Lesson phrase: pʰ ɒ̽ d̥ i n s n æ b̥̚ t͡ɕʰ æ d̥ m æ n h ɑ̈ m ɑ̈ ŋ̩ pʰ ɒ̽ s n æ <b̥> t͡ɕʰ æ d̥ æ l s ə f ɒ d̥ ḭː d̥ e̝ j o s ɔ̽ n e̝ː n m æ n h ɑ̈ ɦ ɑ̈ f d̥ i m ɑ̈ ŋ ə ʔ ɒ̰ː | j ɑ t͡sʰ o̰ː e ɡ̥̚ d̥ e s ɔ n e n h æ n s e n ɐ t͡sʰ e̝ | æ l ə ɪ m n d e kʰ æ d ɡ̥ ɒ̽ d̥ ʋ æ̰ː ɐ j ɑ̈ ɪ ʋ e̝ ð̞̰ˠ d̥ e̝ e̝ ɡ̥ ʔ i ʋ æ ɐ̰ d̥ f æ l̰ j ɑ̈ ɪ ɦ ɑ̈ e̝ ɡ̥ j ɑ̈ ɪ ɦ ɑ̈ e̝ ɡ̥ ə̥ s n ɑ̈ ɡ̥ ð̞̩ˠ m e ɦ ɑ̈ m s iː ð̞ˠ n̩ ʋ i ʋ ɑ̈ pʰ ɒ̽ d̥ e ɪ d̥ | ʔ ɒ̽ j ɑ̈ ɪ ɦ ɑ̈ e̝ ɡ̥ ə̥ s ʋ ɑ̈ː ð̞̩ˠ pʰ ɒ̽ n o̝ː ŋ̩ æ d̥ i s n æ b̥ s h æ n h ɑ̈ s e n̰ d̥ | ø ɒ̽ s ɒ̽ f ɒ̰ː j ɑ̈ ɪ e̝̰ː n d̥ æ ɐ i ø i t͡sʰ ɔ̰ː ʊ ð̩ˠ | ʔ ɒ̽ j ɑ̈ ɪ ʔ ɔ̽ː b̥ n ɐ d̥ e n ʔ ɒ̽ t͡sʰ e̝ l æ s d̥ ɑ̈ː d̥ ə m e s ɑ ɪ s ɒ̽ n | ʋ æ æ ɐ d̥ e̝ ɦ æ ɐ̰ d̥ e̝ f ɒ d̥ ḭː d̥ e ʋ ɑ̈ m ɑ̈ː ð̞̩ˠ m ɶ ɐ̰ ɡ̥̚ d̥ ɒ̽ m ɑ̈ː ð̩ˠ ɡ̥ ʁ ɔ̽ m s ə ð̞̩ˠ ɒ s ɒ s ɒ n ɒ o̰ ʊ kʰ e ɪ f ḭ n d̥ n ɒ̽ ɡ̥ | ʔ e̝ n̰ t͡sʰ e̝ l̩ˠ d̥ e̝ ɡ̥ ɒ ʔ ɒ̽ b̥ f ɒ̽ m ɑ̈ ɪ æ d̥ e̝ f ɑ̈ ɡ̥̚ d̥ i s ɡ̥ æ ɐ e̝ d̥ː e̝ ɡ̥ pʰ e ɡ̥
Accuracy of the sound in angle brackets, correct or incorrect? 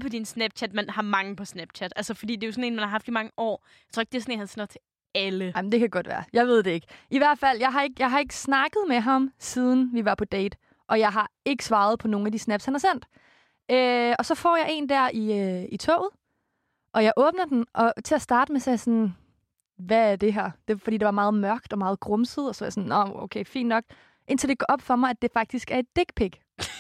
correct